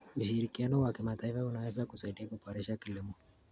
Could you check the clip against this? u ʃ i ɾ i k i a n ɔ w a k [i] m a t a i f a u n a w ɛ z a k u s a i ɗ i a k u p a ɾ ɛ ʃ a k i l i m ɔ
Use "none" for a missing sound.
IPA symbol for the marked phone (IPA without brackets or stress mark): i